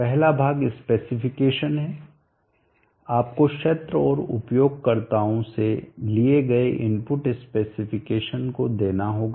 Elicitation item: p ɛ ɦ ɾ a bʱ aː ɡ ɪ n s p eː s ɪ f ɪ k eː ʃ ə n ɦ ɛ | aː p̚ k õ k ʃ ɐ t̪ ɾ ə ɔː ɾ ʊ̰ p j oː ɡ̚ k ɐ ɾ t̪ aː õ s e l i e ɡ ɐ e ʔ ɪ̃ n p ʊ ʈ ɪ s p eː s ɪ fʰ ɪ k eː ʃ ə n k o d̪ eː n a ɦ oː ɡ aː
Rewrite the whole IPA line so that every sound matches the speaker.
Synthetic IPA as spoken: p ɛ ɦ l a bʱ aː ɡ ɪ s p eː s ɪ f ɪ k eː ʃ ə n ɦ ɛ | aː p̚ k o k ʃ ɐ t̪ ɾ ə ɔː ɾ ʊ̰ p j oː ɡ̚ k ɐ ɾ t̪ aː õ s e l i e ɡ ɐ e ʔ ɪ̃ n p ʊ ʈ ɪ s p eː s ɪ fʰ ɪ k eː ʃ ə n k o d̪ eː n a ɦ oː ɡ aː